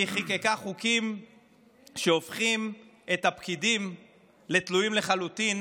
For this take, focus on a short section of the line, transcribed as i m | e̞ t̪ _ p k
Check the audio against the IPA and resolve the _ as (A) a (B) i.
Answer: A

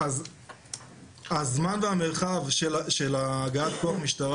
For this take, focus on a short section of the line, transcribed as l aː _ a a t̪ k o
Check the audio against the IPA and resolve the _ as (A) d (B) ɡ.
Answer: B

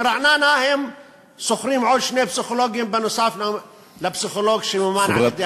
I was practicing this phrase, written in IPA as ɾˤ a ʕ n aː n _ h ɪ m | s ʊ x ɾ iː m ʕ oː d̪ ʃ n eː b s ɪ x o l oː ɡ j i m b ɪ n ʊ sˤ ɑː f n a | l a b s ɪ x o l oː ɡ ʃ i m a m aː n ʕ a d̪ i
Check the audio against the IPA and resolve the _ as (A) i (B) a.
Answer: B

